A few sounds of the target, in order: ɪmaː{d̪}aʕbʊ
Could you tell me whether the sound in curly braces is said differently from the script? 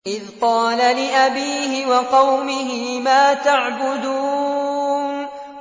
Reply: yes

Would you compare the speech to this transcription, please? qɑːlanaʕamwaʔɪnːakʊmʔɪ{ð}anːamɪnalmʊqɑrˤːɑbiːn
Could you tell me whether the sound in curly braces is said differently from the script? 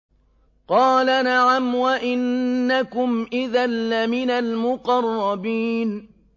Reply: no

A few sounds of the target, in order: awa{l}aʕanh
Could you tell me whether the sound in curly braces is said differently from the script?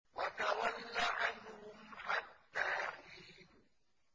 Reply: yes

